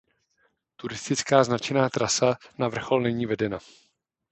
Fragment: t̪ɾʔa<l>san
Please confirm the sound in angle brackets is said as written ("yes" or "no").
no